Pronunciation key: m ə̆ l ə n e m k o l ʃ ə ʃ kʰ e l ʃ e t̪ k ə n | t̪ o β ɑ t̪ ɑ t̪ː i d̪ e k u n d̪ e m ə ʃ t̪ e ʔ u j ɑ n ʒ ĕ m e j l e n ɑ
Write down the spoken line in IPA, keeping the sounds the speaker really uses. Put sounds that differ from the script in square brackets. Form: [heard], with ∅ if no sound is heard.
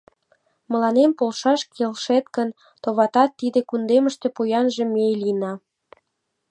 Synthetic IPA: m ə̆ l [ɑ] n e m [p] o l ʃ [ɑ] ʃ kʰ e l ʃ e t̪ k ə n | t̪ o β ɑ t̪ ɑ t̪ː i d̪ e k u n d̪ e m ə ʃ t̪ e [p] u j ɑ n ʒ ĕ m e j l [i] n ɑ